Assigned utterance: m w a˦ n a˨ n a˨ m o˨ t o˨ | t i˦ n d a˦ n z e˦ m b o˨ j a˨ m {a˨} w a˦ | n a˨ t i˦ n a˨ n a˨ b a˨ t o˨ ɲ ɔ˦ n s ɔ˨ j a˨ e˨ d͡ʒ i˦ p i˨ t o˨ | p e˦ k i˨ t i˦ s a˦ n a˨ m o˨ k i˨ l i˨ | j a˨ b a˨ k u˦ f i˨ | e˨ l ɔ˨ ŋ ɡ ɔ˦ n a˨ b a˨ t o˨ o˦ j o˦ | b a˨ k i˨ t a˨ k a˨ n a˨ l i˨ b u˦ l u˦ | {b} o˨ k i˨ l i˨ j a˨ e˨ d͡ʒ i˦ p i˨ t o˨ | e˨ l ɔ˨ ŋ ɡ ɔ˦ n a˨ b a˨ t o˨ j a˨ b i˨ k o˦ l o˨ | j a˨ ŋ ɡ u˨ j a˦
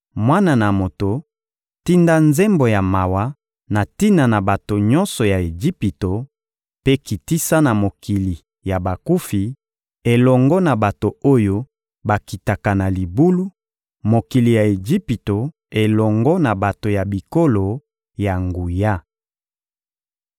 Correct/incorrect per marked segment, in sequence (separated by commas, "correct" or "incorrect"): correct, incorrect